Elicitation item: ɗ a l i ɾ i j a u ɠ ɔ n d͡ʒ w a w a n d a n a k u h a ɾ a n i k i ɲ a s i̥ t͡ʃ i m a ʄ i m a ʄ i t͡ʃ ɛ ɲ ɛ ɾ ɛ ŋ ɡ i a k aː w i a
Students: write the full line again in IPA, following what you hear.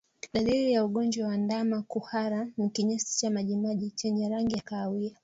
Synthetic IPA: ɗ a l i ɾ i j a u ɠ ɔ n d͡ʒ w a w a n d a m a k u h a ɾ a n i k i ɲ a s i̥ t͡ʃ a m a ʄ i m a ʄ i t͡ʃ ɛ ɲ ɛ ɾ a ŋ ɡ i a k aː w i a